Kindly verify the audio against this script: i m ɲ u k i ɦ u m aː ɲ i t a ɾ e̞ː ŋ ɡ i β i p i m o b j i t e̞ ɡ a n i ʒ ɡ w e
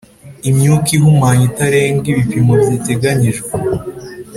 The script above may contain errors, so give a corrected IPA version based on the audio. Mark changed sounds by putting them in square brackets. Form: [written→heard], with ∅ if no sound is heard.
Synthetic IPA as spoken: i m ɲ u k i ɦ u m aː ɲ i t a ɾ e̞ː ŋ ɡ i β i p i m o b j i t e̞ ɡ a [n→ɲ] i ʒ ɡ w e